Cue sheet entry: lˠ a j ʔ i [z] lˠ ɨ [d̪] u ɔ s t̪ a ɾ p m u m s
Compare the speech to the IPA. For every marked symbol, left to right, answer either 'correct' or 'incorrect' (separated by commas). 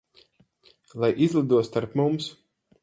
correct, correct